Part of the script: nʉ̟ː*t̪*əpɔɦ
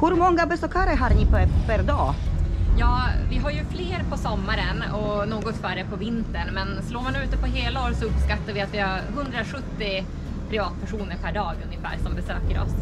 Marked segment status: correct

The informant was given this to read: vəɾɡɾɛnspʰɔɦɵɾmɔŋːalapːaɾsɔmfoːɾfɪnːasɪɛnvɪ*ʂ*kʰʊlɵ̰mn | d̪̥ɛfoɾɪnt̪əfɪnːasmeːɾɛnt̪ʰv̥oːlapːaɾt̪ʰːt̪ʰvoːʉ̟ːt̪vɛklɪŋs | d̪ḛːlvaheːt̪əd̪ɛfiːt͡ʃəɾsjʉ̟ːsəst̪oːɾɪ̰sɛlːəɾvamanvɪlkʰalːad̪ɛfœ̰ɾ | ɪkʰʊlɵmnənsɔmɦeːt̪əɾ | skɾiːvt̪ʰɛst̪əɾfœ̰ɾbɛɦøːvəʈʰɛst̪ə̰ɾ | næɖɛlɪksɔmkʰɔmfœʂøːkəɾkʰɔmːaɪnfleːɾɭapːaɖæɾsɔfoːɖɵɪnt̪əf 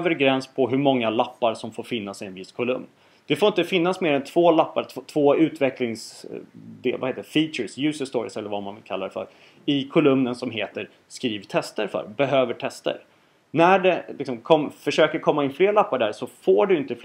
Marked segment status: incorrect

